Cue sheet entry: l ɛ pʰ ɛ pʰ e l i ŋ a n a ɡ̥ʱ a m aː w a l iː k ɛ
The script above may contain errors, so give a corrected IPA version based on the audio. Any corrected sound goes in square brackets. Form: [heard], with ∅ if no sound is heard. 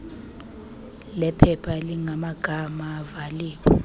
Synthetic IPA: l ɛ pʰ ɛ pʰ [a] l i ŋ a [m] a ɡ̥ʱ a m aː [v] a l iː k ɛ